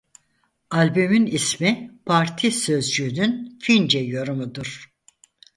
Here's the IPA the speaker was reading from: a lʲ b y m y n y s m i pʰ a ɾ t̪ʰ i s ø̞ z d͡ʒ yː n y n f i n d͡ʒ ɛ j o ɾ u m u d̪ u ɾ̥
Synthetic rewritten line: a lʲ b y m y n i s m i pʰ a ɾ t̪ʰ i s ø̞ z d͡ʒ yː n y n f i n d͡ʒ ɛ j o ɾ u m u d̪ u ɾ̥